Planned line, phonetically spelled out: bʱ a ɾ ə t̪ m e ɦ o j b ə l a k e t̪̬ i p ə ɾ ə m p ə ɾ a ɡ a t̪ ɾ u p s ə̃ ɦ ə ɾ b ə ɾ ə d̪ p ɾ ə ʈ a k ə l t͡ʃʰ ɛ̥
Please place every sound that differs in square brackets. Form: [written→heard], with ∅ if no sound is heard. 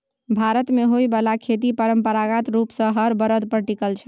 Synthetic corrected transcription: bʱ a ɾ ə t̪ m e ɦ o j b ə l a [k→kʰ] e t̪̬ i p ə ɾ ə m p ə ɾ a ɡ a t̪ ɾ u p s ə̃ ɦ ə ɾ b ə ɾ ə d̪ p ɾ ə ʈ [a→i] k ə l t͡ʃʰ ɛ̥